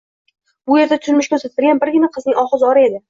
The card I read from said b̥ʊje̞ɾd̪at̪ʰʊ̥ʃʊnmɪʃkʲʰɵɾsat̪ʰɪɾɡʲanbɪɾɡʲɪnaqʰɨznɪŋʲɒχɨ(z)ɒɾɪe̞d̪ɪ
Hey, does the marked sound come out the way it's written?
yes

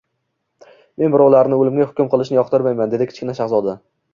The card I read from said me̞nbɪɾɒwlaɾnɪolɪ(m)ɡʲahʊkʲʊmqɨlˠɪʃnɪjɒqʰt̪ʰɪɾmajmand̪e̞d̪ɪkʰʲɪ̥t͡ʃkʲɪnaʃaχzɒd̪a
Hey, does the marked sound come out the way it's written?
yes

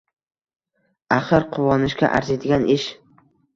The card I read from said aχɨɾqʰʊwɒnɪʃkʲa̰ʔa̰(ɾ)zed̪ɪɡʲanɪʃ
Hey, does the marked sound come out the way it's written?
yes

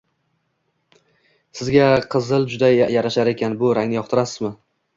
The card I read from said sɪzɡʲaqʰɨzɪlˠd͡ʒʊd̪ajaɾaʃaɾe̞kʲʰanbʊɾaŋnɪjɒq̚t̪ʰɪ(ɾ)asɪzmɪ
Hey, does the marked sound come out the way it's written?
yes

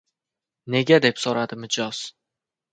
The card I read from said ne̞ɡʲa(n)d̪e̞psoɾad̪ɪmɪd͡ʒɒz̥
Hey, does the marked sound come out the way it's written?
no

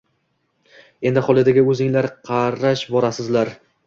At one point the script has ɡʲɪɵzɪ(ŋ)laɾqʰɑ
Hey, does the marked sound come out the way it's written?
yes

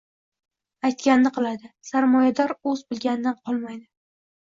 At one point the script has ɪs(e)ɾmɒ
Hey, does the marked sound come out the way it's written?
no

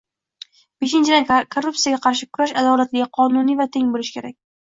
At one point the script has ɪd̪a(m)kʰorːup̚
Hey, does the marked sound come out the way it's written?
no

